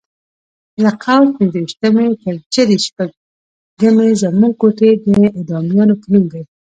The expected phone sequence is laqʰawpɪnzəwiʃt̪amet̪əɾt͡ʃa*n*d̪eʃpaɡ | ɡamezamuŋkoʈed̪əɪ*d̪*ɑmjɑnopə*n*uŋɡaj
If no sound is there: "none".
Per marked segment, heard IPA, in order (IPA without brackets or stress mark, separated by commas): none, d̪, n